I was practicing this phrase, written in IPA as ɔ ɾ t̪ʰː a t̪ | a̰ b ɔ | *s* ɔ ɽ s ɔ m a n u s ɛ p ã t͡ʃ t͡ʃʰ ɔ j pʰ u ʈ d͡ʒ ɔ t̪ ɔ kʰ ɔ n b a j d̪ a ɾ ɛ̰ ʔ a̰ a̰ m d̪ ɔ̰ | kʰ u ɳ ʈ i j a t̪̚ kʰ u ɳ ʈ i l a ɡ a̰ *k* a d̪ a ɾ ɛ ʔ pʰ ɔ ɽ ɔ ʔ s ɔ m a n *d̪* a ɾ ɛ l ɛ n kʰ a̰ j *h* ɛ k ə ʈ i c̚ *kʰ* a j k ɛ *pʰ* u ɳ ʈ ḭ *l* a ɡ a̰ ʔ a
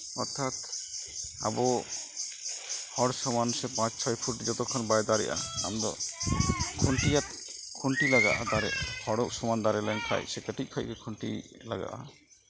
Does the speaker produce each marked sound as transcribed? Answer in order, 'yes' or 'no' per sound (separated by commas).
no, no, yes, no, yes, no, yes